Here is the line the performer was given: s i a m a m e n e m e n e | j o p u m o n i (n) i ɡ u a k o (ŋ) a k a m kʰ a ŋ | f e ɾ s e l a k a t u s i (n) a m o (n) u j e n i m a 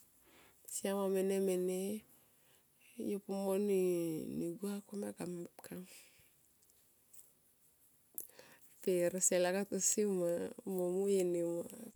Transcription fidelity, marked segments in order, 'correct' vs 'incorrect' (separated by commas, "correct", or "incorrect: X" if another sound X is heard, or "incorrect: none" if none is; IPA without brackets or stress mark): correct, incorrect: m, incorrect: m, incorrect: m